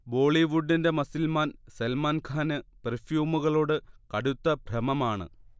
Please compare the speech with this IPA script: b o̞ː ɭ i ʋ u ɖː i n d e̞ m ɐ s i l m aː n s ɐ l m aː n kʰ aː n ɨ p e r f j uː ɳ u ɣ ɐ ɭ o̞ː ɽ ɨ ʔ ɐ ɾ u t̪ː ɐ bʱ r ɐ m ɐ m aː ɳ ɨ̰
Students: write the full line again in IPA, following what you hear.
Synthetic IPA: b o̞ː ɭ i ʋ u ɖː i n d e̞ m ɐ s i l m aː n s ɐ l m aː n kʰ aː n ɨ p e r f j uː m u ɣ ɐ ɭ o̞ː ɽ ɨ k ɐ ɽ u t̪ː ɐ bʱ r ɐ m ɐ m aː ɳ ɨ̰